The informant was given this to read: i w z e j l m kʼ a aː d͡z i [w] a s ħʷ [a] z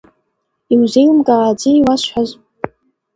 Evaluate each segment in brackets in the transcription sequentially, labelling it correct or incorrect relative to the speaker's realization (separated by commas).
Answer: correct, correct